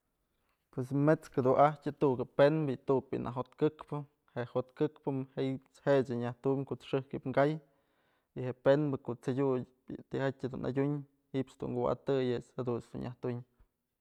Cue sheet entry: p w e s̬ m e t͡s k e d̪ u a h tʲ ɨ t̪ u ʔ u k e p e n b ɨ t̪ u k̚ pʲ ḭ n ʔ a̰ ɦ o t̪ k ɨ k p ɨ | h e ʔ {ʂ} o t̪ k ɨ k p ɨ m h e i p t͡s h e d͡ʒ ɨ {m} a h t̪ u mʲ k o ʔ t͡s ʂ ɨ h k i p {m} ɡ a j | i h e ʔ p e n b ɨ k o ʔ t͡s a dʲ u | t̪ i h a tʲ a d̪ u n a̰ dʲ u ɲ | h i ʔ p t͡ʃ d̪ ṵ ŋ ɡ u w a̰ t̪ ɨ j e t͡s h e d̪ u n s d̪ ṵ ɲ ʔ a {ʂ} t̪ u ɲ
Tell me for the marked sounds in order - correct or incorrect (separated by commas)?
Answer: incorrect, incorrect, incorrect, incorrect